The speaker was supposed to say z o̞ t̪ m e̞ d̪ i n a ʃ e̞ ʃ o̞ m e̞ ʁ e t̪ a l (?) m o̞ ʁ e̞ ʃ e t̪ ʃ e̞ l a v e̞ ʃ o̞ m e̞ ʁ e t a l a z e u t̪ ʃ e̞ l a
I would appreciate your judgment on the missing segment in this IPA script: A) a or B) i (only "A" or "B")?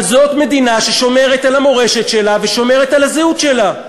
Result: A